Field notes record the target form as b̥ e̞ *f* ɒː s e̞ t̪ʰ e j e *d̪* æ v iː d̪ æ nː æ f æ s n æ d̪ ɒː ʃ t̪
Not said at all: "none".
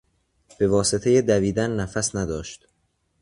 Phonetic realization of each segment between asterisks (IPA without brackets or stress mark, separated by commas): v, d̪